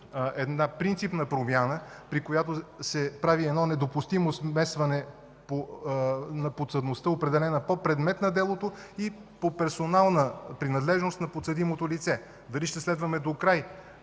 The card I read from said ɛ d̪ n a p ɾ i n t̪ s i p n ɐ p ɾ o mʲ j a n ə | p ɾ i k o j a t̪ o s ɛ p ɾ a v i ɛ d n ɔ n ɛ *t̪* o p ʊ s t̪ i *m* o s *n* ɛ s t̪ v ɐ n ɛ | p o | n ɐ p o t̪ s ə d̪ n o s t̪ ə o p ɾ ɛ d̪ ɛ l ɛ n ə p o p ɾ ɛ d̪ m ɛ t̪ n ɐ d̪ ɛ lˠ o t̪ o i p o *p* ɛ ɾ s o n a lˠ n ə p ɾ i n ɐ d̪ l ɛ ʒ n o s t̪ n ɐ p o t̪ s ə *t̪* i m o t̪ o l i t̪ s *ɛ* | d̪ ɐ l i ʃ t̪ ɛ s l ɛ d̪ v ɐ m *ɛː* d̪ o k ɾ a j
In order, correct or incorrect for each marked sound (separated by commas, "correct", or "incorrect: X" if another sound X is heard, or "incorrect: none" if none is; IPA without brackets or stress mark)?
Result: incorrect: d̪, correct, incorrect: m, correct, incorrect: d̪, correct, incorrect: ɛ